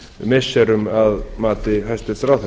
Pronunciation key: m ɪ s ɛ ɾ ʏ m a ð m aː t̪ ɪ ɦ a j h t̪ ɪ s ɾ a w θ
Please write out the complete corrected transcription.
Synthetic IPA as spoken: m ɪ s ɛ ɾ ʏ m a ð m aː t̪ ɪ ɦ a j s t̪ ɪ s ɾ a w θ

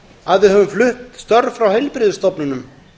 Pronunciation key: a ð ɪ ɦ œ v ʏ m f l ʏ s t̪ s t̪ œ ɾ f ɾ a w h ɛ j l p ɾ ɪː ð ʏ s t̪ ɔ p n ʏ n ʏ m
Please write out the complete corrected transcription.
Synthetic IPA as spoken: a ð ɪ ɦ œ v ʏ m f l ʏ h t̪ s t̪ œ ɾ f ɾ a w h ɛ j l p ɾ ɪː ð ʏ s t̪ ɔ p n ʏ n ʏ m

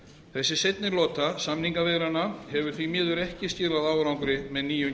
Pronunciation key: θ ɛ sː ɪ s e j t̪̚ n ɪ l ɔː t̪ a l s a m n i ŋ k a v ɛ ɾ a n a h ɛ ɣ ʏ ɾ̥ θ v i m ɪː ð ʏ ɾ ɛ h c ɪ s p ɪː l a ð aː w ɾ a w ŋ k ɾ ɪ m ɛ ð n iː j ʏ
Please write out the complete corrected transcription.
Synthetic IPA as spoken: θ ɛ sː ɪ s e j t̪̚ n ɪ l ɔː t̪ a s a m n i ŋ k a v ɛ ɾ a n a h ɛ v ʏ ɾ̥ θ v i m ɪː ð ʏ ɾ ɛ h c ɪ s c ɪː l a ð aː w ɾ a w ŋ k ɾ ɪ m ɛ ð n iː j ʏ

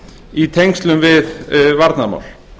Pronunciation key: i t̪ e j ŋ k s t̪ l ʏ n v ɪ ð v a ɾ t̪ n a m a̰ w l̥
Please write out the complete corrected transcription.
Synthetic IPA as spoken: i t̪ʰ e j ŋ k s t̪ l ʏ m v ɪ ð v a ɾ t̪ n a m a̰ w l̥

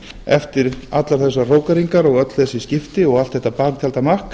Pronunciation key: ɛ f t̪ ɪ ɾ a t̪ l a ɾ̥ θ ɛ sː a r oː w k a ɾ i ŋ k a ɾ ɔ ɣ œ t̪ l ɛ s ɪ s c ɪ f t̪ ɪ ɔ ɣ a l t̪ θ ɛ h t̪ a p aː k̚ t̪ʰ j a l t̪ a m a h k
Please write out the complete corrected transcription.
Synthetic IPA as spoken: ɛ f t̪ ɪ ɾ a t̪ l a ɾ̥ θ ɛ sː a r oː w k a ɾ i ŋ k a ɾ ɔ ɣ œ t̪ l ɛ s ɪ s c ɪ f t̪ ɪ ɔ ɣ a l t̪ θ ɛ h t̪ a p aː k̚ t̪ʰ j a l t̪ a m a h k

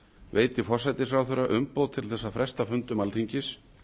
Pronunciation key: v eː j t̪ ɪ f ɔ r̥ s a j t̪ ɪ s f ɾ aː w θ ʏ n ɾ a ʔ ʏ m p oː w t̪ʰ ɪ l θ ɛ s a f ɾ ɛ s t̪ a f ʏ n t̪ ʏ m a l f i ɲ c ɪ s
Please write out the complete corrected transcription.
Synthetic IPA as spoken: v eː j t̪ ɪ f ɔ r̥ s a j t̪ ɪ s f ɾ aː w θ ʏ ɾ a ʔ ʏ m p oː w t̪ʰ ɪ l θ ɛ sː a f ɾ ɛ s t̪ a f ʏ n t̪ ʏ m a l θ i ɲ c ɪ s

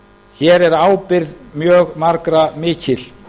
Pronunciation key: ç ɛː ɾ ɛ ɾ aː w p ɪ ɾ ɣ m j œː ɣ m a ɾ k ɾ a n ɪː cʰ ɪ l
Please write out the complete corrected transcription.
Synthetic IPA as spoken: ç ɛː ɾ ɛ ɾ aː w p ɪ ɾ ð m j œː ɣ m a ɾ k ɾ a m ɪː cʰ ɪ l

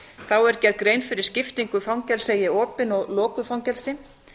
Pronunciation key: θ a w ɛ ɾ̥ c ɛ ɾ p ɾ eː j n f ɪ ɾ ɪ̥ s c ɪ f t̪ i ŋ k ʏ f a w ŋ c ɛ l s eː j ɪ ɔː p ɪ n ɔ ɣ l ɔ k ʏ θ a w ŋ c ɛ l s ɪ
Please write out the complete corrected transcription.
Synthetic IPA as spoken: θ a w ɛ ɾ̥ c ɛ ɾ k ɾ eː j n f ɪ ɾ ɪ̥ s c ɪ f t̪ i ŋ k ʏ f a w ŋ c ɛ l s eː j ɪ ɔː p ɪ n ɔ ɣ l ɔː k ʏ f a w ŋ c ɛ l s ɪ

